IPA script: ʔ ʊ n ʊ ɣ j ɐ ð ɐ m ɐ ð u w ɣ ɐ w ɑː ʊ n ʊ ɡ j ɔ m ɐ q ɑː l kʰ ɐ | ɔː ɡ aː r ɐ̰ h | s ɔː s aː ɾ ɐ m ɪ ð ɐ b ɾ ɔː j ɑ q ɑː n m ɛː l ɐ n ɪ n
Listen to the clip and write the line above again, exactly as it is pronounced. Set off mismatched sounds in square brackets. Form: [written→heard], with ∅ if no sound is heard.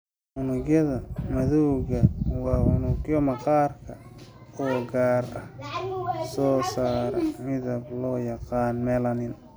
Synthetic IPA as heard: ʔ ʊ n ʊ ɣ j ɐ ð ɐ m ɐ ð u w ɣ ɐ w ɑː ʊ n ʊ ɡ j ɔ m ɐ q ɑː [l→r] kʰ ɐ | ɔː ɡ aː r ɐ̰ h | s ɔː s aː ɾ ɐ m ɪ ð ɐ b [ɾ→l] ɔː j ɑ q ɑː n m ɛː l ɐ n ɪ n